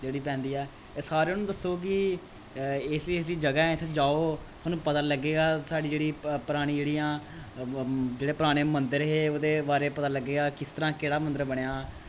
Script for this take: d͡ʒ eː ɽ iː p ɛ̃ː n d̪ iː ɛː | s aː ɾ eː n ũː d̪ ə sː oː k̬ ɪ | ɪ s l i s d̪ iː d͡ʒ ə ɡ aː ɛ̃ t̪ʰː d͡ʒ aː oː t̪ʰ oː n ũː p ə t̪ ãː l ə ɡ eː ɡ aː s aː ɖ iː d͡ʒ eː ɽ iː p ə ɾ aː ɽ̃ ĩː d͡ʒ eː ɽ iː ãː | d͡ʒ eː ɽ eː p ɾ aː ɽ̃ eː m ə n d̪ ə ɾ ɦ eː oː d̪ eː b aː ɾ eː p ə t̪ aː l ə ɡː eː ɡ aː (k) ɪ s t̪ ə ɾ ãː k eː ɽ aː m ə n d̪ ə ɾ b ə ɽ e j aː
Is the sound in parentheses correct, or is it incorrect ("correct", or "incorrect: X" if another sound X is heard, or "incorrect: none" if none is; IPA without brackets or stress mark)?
correct